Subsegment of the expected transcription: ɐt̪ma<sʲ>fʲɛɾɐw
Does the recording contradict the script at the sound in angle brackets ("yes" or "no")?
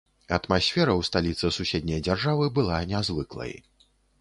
no